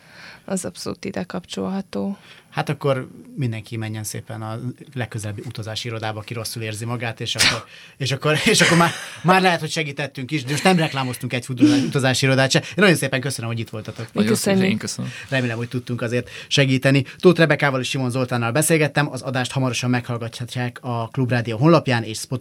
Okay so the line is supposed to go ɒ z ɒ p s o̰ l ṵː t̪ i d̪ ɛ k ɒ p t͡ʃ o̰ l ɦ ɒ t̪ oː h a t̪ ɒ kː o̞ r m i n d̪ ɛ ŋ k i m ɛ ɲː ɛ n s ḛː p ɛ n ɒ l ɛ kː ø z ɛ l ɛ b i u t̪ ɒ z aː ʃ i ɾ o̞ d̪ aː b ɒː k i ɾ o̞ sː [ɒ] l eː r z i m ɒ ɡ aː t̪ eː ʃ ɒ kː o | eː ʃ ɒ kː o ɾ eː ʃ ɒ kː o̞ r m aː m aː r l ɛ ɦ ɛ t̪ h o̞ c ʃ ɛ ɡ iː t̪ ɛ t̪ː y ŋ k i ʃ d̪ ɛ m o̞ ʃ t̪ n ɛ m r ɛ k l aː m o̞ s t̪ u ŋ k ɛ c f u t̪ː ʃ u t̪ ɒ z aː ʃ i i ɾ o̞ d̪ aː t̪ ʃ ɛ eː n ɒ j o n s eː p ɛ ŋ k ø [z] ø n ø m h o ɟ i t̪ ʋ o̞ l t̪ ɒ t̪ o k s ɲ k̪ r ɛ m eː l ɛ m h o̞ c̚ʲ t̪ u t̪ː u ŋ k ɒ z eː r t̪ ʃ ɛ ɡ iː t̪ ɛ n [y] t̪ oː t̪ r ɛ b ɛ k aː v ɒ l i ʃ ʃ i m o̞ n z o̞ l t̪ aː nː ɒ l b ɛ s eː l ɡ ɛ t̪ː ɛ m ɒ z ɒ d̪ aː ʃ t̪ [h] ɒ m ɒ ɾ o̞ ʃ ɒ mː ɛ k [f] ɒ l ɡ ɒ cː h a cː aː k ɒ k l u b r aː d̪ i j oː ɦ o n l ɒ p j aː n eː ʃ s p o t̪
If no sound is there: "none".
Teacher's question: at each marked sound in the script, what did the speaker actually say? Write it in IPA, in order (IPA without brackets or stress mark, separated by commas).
u, s, i, h, h